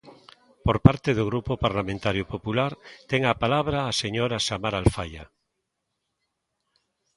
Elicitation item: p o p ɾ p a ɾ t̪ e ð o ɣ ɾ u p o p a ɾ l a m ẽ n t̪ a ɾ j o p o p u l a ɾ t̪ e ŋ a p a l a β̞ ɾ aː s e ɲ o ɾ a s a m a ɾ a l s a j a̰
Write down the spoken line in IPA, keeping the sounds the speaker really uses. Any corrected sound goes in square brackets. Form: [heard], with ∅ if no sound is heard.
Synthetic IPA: p o [∅] ɾ p a ɾ t̪ e ð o ɣ ɾ u p o p a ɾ l a m ẽ n t̪ a ɾ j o p o p u l a ɾ t̪ e ŋ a p a l a β̞ ɾ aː s e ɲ o ɾ a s a m a ɾ a l [f] a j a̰